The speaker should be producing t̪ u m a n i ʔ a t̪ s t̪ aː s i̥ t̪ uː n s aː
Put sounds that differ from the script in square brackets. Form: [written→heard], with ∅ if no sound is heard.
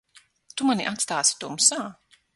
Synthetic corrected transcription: t̪ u m a n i ʔ a t̪ s t̪ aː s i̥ t̪ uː [n→m] s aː